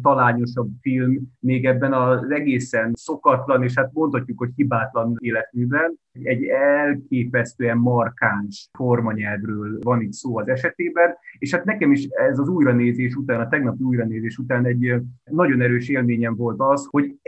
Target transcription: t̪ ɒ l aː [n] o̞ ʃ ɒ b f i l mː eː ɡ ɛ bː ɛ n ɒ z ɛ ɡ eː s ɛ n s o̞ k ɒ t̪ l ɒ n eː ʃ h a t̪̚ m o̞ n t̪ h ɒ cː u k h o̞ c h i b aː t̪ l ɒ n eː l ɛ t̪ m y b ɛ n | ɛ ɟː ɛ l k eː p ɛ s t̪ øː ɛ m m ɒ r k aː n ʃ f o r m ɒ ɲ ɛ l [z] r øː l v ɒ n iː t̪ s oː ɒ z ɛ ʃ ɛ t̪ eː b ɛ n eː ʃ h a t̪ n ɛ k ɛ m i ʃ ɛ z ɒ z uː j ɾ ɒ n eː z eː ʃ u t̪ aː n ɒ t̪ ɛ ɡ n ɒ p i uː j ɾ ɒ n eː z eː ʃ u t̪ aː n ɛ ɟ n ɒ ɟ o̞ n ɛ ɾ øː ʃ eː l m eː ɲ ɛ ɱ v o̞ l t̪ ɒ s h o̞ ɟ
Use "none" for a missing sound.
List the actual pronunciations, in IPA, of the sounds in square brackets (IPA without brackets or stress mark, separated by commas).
ɲ, v